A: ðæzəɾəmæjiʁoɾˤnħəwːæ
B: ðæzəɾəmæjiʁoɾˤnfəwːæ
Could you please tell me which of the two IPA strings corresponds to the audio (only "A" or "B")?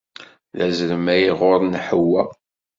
A